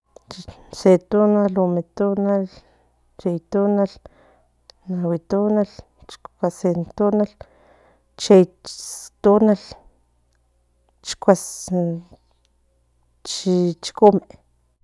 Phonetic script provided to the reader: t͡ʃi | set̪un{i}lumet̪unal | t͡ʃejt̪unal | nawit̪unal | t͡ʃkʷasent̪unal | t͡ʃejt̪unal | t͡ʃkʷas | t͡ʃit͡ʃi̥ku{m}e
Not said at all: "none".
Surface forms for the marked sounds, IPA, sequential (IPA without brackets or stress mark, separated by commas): a, m